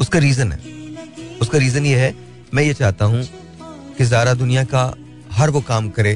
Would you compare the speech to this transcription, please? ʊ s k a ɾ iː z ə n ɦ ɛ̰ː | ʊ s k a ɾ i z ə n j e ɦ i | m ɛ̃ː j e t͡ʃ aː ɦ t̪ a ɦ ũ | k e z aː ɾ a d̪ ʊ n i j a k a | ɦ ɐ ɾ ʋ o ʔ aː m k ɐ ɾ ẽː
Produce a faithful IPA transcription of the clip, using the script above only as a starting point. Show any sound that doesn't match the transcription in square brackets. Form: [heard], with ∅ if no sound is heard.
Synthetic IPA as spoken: ʊ s k a ɾ iː z ə n ɦ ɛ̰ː | ʊ s k a ɾ [iː] z ə n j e ɦ [ɛ] | m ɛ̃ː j e t͡ʃ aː ɦ t̪ a ɦ ũ | k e z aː ɾ a d̪ ʊ n i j a k a | ɦ ɐ ɾ ʋ o [k] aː m k ɐ ɾ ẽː